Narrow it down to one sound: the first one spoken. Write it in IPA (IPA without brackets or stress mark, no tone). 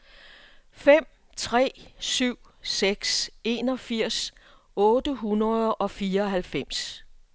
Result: f